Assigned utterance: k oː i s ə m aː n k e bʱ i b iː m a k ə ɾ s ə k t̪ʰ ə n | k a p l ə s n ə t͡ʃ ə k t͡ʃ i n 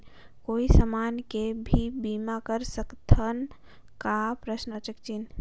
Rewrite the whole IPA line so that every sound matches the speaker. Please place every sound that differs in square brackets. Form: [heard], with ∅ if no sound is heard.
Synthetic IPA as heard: k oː i s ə m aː n k e bʱ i b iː m a k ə ɾ s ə k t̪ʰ ə n | k a p [ɾ] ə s n ə t͡ʃ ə k t͡ʃ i n